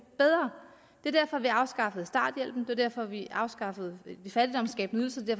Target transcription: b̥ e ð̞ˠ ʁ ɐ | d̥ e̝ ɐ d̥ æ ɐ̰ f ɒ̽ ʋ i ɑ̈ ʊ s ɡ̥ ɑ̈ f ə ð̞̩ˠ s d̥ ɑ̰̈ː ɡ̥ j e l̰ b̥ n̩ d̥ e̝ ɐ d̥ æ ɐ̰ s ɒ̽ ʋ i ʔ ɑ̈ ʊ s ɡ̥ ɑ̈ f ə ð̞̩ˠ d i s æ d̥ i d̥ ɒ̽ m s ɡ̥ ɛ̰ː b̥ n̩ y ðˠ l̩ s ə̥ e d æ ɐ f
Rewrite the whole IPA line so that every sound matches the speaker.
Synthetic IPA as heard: b̥ e ð̞ˠ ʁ ɐ | d̥ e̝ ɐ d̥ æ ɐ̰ f ɒ̽ ʋ i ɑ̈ ʊ s ɡ̥ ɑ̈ f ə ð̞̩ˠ s d̥ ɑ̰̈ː d̥ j e l̰ b̥ n̩ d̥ e̝ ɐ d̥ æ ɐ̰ f ɒ̽ ʋ i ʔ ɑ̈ ʊ s ɡ̥ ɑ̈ f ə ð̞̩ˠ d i f æ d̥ i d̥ ɒ̽ m s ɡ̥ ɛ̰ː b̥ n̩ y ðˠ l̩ s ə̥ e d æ ɐ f